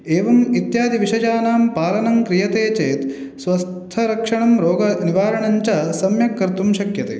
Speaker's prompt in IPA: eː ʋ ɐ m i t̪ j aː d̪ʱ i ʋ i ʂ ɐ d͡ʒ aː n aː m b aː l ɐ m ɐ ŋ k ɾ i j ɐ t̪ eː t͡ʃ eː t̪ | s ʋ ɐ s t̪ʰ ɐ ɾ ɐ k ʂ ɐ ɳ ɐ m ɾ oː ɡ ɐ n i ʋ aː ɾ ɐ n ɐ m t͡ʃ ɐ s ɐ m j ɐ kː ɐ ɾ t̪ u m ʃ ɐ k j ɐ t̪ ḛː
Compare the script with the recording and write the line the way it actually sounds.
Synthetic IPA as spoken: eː ʋ ɐ m i t̪ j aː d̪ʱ i ʋ i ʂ ɐ d͡ʒ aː n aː m p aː l ɐ n ɐ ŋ k ɾ i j ɐ t̪ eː t͡ʃ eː t̪ | s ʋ ɐ s t̪ʰ ɐ ɾ ɐ k ʂ ɐ ɳ ɐ m ɾ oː ɡ ɐ n i ʋ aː ɾ ɐ ɳ ɐ ɲ t͡ʃ ɐ s ɐ m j ɐ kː ɐ ɾ t̪ u m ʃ ɐ k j ɐ t̪ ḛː